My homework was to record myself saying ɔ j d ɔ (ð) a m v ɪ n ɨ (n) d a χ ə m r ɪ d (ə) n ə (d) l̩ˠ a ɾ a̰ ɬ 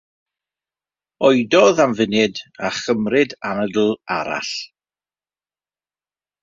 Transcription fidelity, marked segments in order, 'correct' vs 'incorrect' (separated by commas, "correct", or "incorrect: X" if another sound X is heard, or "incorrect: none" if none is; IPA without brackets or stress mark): correct, incorrect: none, incorrect: a, correct